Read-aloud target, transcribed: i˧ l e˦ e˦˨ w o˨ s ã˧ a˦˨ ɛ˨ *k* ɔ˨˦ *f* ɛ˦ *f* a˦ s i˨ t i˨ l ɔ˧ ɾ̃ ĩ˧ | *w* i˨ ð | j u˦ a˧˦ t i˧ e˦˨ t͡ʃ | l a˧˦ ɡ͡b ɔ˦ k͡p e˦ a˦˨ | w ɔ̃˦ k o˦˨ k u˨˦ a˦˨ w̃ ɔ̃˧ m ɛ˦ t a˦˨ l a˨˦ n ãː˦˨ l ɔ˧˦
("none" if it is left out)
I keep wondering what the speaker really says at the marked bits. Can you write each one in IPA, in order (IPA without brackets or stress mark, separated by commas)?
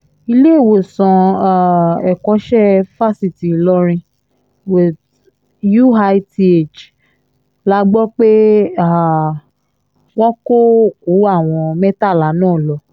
k, ʃ, f, w